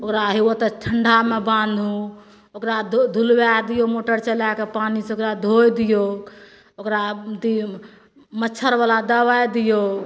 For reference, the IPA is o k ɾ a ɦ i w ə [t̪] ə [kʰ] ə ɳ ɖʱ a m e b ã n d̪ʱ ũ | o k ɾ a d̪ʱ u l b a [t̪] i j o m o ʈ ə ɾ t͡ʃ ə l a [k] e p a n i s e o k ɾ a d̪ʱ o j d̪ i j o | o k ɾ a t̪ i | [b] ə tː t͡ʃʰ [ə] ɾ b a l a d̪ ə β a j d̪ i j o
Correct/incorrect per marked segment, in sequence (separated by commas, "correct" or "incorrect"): correct, incorrect, incorrect, correct, incorrect, correct